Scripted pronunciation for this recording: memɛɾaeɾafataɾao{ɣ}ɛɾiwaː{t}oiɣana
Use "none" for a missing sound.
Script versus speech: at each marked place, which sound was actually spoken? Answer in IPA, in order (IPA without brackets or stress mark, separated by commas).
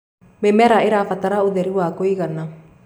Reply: ð, k